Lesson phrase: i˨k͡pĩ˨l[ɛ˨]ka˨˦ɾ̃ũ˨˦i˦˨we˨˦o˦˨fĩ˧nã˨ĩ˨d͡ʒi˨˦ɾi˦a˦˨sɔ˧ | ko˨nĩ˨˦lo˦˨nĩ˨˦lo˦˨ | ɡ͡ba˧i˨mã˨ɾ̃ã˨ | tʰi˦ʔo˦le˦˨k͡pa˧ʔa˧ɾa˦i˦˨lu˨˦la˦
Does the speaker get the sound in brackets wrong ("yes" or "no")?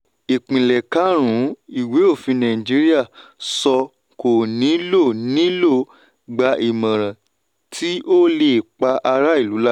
no